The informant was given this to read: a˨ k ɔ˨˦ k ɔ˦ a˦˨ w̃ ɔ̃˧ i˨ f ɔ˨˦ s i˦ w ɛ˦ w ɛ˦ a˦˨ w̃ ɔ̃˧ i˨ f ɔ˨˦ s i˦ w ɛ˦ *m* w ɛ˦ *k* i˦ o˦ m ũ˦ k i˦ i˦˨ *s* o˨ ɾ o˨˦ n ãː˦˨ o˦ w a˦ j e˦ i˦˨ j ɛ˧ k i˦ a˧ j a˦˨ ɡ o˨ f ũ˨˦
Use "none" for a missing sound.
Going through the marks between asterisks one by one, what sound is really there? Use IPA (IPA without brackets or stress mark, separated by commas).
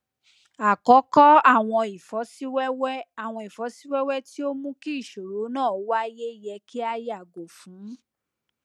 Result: none, t, ʃ